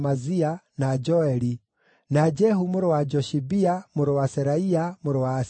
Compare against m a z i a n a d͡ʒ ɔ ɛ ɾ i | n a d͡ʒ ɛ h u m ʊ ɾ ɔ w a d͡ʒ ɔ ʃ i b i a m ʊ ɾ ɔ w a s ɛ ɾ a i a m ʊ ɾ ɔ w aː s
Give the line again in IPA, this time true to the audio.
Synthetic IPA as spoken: m a z i a n a d͡ʒ ɔ ɛ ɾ i | n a d͡ʒ ɛ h u m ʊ ɾ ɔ w a d͡ʒ ɔ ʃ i b i a m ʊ ɾ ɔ w a s ɛ ɾ a i a m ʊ ɾ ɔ w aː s